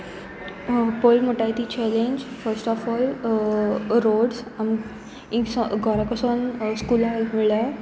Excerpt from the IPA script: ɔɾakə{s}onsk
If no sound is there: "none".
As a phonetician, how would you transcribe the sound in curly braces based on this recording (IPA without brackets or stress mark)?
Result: s